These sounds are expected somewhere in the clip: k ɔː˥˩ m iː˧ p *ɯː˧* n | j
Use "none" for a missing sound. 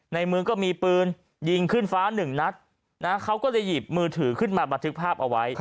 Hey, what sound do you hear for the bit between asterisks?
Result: ɯː˧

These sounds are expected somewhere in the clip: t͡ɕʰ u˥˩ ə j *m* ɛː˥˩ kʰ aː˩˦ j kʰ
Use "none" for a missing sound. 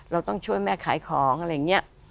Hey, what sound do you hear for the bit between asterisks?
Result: m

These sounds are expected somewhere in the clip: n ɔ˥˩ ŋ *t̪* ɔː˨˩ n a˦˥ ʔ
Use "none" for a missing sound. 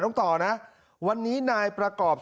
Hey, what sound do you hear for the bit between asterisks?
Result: t̪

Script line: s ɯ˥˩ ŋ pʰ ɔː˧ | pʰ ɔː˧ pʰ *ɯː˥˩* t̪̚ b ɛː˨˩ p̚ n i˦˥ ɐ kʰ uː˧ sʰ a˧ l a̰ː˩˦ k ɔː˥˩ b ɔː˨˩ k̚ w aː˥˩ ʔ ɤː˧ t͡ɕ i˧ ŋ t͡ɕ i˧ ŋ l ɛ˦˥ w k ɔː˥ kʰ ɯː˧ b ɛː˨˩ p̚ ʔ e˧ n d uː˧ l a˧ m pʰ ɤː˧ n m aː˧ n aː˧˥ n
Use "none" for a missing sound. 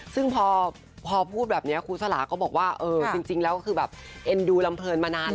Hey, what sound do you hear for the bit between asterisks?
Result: uː˥˩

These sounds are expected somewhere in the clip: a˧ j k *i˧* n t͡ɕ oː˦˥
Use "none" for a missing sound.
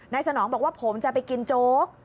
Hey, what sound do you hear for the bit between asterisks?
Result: i˧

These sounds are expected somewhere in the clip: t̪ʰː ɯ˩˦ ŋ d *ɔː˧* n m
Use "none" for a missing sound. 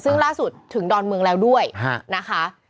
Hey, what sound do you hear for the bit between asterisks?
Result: ɔː˧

